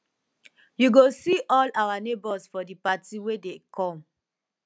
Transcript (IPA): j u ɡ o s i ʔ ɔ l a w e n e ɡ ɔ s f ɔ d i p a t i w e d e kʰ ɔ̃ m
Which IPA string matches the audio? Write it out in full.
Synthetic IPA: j u ɡ o s i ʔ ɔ l a w a n e b ɔ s f ɔ d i p a t i w e d e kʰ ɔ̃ m